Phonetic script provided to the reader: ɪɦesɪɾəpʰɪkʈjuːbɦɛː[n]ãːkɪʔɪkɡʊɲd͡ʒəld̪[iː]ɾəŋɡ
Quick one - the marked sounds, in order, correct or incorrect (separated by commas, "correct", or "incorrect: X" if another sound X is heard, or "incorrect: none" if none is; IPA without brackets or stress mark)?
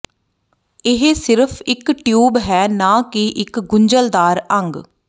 correct, incorrect: aː